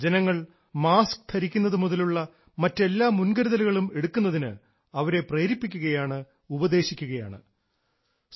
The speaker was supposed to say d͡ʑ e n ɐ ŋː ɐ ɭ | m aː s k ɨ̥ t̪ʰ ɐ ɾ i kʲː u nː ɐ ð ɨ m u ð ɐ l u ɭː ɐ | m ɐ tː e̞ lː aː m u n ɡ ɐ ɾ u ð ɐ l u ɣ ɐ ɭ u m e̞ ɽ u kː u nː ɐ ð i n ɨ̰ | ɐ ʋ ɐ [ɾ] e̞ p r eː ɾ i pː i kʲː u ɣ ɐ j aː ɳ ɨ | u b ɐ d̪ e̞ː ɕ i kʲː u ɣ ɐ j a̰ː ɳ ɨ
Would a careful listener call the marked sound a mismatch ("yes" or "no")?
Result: no